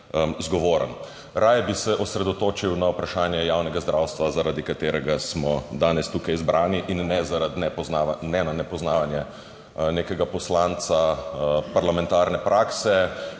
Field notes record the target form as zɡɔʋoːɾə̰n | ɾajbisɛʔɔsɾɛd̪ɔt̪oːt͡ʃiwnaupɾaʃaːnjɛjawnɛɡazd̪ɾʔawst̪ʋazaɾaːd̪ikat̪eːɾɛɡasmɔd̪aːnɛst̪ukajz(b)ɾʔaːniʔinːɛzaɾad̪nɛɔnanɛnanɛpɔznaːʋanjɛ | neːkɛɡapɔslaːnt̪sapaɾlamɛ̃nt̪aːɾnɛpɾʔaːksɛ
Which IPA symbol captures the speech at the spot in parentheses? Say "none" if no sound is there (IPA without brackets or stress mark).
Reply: b